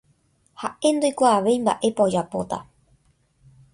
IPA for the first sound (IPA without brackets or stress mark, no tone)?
h